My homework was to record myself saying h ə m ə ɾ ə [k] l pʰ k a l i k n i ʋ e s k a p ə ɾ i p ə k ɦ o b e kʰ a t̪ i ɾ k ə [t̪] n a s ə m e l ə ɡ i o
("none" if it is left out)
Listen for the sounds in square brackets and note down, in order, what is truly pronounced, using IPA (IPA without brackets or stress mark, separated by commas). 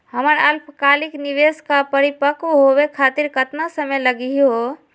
none, t̪